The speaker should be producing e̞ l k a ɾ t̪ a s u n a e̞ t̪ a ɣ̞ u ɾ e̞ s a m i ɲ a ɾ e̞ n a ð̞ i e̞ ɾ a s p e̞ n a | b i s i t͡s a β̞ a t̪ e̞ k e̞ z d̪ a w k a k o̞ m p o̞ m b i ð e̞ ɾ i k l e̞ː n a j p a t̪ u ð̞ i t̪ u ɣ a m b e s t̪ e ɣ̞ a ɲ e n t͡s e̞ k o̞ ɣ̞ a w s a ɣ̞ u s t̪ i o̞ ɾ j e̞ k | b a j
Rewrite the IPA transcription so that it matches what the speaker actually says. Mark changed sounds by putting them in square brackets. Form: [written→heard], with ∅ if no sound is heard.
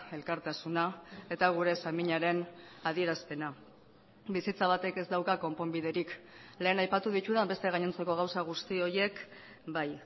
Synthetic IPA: e̞ l k a ɾ t̪ a s u n a e̞ t̪ a ɣ̞ u ɾ e̞ s a m i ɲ a ɾ e̞ n a ð̞ i e̞ ɾ a s p e̞ n a | b i s i t͡s a β̞ a t̪ e̞ k e̞ z d̪ a w k a k o̞ m p o̞ m b i ð e̞ ɾ i k l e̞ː n a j p a t̪ u ð̞ i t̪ u [ɣ→ð] a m b e s t̪ e ɣ̞ a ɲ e n t͡s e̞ k o̞ ɣ̞ a w s a ɣ̞ u s t̪ i o̞ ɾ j e̞ k | b a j

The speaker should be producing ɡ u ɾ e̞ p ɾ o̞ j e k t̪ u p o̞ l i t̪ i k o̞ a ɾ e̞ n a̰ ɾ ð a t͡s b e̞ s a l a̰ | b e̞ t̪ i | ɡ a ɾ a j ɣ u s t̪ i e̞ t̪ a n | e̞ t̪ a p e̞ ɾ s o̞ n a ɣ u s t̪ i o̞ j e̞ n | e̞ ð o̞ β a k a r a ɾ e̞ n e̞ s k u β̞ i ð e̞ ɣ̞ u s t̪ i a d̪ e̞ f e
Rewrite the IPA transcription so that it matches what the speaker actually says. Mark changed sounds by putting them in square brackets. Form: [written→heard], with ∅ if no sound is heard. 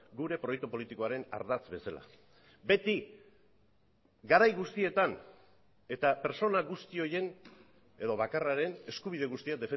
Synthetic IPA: ɡ u ɾ e̞ p ɾ o̞ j e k t̪ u p o̞ l i t̪ i k o̞ a ɾ e̞ n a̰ ɾ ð a t͡s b e̞ s a l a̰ | b e̞ t̪ i | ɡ a ɾ a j ɣ u s t̪ i e̞ t̪ a n | e̞ t̪ a p e̞ ɾ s o̞ n a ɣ u s t̪ i o̞ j e̞ n | e̞ ð o̞ β a k a r a ɾ e̞ n e̞ s k u β̞ i ð e̞ ɣ̞ u s t̪ i a d̪ e̞ f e

